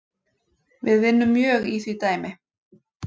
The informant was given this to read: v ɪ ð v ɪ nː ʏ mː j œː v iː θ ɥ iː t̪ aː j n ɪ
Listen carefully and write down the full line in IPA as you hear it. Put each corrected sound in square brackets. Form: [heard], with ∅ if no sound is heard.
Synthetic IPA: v ɪ ð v ɪ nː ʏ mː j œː [ɣ] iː θ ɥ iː t̪ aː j [m] ɪ